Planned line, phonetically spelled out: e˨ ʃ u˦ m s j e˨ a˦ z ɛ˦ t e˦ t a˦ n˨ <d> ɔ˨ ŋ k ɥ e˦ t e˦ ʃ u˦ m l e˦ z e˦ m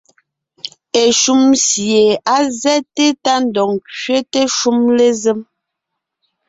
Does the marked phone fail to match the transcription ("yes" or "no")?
no